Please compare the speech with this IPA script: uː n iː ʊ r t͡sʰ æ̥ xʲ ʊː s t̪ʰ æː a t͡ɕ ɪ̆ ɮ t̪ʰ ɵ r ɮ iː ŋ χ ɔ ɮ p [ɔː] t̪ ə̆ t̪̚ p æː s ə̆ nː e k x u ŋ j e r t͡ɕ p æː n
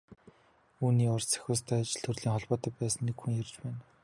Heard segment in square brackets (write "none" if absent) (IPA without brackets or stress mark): ɔː